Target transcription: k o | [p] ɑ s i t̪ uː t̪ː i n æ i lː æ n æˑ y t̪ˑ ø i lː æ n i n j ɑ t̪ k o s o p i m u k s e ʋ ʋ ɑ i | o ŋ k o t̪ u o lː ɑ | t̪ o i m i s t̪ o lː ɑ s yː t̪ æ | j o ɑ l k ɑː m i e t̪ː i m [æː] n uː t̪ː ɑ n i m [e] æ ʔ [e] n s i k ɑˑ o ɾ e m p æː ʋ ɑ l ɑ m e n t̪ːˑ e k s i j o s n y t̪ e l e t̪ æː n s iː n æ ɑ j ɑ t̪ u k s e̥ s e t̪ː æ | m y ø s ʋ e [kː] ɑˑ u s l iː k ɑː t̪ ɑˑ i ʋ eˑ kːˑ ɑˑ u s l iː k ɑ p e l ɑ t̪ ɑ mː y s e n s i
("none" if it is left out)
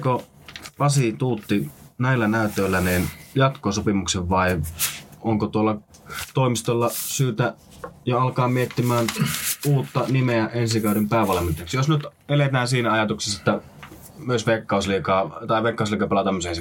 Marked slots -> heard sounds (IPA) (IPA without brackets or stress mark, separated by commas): p, æː, e, e, kː